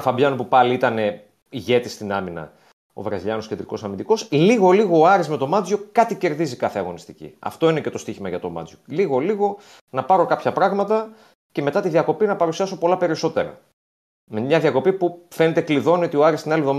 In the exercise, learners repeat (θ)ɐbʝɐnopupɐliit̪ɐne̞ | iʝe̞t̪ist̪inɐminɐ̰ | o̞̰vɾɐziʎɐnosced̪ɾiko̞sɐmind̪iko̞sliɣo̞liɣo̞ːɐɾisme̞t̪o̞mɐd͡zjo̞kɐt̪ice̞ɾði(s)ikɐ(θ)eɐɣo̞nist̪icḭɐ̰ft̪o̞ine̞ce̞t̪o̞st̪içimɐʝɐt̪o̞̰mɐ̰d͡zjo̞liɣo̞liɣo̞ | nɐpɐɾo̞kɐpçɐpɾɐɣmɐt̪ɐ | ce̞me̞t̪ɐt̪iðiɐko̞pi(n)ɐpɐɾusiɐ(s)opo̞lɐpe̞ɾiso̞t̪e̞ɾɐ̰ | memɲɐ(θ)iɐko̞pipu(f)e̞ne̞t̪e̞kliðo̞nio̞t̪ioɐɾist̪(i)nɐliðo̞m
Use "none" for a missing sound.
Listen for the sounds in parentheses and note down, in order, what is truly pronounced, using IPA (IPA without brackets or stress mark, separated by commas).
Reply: f, z, θ, n, s, ð, f, i